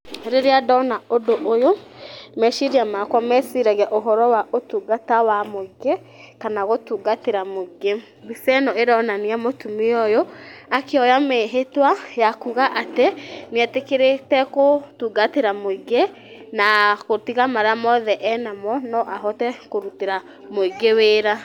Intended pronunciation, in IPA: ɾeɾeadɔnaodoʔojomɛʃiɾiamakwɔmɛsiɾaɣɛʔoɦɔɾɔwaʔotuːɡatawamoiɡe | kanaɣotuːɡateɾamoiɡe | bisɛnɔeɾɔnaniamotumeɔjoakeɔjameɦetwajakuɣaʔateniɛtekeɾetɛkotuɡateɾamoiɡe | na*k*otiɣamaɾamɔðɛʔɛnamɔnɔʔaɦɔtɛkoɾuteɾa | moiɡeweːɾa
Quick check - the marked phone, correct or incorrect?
correct